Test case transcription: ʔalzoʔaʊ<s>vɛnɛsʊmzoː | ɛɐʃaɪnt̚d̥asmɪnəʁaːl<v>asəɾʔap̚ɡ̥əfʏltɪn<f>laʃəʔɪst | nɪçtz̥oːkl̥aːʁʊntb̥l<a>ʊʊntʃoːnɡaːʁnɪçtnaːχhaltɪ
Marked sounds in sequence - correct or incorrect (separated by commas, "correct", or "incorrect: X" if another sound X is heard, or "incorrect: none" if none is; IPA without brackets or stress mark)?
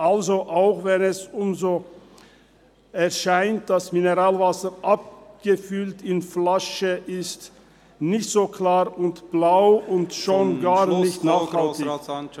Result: incorrect: x, correct, correct, correct